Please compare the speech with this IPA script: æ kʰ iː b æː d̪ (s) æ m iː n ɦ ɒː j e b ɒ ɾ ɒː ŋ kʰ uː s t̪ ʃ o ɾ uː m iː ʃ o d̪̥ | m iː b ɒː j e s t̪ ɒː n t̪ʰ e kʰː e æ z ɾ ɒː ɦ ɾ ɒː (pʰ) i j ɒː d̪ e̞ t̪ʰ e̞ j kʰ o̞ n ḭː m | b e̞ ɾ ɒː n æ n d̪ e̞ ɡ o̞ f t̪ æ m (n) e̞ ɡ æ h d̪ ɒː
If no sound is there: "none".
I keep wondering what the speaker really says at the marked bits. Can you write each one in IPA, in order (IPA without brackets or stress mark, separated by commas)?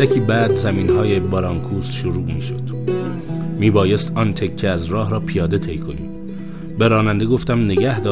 z, pʰ, n